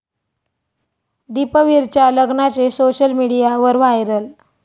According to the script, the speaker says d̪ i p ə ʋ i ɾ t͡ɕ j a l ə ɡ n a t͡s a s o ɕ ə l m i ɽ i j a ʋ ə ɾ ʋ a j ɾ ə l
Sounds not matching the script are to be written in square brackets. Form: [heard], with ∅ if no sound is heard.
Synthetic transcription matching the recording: d̪ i p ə ʋ i ɾ t͡ɕ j a l ə ɡ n a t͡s [e] s o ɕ ə l m i ɽ i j a ʋ ə ɾ ʋ a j ɾ ə l